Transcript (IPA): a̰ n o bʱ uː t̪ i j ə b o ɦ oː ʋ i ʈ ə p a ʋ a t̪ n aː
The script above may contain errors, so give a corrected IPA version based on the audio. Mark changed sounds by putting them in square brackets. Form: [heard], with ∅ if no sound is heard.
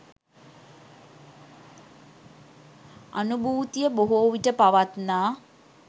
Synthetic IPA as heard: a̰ n [u] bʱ uː t̪ i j ə b o ɦ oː ʋ i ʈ ə p a ʋ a t̪ n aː